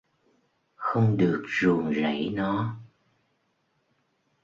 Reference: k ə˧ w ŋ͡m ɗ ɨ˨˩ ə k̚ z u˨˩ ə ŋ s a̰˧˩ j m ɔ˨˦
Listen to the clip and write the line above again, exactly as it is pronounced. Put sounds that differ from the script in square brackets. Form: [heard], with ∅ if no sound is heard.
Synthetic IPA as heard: [x] ə˧ w ŋ͡m ɗ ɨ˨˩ ə k̚ z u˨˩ ə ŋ [z] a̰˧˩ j [n] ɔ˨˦